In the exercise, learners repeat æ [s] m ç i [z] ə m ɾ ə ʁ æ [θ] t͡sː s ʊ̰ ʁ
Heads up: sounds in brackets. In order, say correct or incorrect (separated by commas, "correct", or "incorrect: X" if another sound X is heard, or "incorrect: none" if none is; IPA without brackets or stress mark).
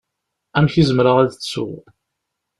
incorrect: none, correct, incorrect: ð